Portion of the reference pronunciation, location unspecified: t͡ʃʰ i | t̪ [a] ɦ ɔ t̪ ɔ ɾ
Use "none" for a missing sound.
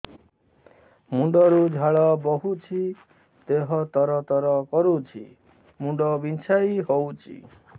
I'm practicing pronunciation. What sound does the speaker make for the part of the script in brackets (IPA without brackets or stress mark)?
e